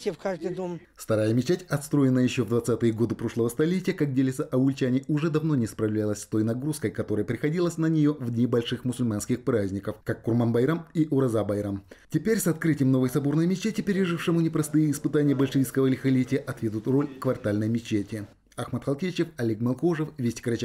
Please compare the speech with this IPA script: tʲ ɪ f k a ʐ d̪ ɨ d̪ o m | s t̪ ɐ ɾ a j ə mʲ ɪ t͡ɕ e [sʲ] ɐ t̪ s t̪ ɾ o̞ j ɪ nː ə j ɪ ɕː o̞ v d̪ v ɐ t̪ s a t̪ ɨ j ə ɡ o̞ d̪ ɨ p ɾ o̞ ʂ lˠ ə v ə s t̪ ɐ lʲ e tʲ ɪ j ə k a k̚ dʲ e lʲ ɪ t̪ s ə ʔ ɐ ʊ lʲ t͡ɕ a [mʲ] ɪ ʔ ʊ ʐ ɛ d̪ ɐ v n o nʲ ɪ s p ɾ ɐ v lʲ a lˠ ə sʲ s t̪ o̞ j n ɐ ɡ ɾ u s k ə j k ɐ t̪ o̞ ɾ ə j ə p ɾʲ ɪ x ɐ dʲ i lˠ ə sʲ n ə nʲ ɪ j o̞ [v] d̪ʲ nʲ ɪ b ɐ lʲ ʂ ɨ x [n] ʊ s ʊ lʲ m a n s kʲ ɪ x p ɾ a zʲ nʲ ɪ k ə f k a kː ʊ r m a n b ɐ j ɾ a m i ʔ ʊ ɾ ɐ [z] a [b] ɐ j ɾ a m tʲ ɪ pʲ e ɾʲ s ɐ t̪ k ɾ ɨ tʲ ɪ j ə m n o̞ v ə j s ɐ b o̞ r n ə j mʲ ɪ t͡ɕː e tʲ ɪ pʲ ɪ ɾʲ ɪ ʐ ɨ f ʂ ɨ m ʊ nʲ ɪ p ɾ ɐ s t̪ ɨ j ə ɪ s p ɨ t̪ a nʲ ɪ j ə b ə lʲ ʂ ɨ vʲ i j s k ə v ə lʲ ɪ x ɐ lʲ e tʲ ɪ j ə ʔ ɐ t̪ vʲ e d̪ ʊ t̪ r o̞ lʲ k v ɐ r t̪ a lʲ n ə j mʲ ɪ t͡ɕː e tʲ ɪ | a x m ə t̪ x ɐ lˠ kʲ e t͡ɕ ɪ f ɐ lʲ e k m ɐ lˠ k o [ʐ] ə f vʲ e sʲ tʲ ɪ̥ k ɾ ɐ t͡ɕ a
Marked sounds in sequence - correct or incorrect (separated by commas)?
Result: incorrect, incorrect, correct, incorrect, correct, correct, correct